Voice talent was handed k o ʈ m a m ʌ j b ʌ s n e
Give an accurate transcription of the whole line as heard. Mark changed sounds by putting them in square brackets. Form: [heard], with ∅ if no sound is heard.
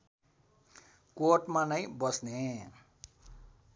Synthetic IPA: k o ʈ m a [n] ʌ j b ʌ s n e